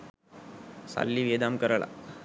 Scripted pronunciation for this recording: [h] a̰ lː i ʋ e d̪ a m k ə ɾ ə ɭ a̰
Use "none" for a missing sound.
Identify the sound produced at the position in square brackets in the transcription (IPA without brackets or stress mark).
s